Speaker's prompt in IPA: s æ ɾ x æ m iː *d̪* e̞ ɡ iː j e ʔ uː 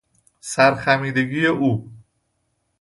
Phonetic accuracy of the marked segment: correct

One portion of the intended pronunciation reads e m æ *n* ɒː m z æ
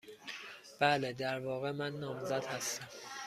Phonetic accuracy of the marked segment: incorrect: nː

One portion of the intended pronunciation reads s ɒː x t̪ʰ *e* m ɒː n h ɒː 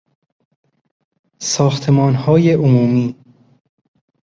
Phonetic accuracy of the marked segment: correct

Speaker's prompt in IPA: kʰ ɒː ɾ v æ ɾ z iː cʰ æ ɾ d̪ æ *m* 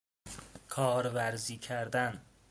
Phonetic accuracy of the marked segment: incorrect: n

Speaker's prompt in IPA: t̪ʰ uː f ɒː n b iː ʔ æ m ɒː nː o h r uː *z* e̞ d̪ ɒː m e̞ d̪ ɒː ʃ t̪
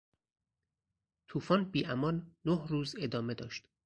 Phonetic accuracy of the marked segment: correct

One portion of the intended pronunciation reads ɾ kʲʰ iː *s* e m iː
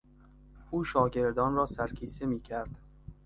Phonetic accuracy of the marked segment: correct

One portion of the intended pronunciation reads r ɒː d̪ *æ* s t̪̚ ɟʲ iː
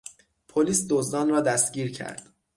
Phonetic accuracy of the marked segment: correct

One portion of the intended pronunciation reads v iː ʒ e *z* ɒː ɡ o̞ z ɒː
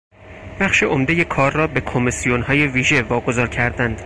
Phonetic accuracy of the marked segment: incorrect: v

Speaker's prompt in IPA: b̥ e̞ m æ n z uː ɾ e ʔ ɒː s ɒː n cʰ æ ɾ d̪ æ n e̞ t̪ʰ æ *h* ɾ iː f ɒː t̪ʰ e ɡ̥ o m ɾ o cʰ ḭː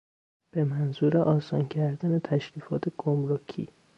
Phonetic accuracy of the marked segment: incorrect: ʃ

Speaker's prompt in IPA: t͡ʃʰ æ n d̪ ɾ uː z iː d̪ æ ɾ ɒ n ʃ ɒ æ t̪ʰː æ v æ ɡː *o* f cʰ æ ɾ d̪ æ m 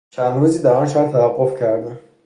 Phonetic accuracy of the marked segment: correct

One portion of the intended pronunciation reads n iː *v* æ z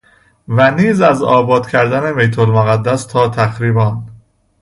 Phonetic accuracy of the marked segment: incorrect: z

